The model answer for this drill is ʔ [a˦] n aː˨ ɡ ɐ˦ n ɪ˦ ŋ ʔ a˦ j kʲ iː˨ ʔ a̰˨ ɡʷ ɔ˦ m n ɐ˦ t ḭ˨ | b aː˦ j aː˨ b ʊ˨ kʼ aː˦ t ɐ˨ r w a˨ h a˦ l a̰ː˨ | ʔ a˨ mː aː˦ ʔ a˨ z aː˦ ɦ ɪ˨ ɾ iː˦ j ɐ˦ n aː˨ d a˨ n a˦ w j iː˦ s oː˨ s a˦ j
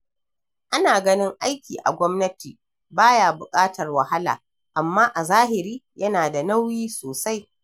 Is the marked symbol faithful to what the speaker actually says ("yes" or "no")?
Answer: yes